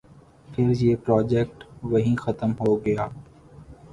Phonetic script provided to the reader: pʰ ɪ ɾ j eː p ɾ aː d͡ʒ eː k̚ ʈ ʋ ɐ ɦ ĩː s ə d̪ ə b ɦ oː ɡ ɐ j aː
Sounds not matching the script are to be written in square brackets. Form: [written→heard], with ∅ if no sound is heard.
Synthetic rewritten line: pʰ ɪ ɾ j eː p ɾ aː d͡ʒ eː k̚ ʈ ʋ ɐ ɦ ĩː [s→x] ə [d̪→t̪] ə [b→m] ɦ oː ɡ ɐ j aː